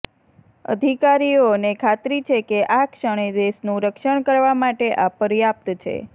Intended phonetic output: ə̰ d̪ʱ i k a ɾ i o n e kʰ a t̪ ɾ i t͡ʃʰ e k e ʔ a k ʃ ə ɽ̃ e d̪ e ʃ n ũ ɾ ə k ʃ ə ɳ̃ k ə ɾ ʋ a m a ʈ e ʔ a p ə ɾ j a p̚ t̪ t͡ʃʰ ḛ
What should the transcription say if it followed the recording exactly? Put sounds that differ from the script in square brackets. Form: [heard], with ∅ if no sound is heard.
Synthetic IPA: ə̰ d̪ʱ i k a ɾ i o n e kʰ a t̪ ɾ i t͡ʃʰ e k e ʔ a k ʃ ə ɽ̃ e d̪ e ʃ n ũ ɾ ə k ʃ ə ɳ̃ k ə ɾ ʋ a m a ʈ e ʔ a p ə ɾ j a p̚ t̪ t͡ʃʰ ḛ